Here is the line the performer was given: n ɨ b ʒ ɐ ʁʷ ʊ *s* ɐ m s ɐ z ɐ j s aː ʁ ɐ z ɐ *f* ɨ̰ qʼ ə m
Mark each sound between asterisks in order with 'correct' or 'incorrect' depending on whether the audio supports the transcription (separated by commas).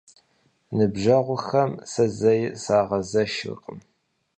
incorrect, incorrect